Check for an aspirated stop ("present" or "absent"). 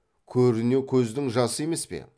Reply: present